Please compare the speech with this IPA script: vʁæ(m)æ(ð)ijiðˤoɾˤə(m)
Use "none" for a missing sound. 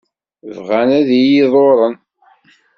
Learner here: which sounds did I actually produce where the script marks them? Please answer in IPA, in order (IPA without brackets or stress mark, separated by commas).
n, ð, n